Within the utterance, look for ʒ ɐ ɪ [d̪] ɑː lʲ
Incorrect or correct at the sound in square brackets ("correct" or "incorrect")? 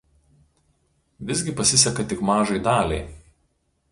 correct